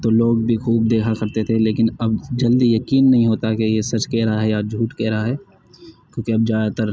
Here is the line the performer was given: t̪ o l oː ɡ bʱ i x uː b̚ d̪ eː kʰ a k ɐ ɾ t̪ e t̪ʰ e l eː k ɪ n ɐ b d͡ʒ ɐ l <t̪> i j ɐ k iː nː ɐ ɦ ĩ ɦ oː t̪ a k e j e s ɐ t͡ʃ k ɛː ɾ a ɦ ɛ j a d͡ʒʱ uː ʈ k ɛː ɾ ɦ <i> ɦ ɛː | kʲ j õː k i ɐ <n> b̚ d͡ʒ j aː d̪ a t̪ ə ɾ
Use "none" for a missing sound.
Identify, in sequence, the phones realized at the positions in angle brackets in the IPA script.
d̪, a, none

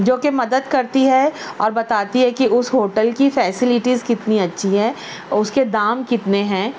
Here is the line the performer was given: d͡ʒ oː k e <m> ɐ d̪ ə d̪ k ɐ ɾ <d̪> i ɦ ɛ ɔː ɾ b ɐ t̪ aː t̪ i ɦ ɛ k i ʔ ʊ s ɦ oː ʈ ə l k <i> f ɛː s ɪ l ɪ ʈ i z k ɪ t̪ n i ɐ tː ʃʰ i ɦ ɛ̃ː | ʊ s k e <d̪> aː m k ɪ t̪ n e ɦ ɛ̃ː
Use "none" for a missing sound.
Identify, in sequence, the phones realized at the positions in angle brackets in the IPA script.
m, t̪, i, d̪

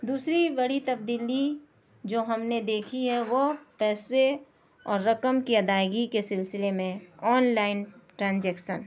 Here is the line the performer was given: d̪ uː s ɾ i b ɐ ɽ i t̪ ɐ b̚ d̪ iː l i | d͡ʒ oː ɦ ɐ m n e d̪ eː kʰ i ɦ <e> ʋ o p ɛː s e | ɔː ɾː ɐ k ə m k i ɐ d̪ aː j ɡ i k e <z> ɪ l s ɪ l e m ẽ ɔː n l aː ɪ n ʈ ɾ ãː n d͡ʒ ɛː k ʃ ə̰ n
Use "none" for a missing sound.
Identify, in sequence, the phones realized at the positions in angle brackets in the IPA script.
ɛ, s

